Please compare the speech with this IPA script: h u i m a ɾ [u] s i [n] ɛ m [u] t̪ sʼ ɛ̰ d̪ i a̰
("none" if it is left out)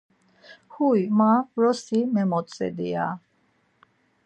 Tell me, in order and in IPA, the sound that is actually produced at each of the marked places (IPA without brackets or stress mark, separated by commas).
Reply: ɔ, m, ɔ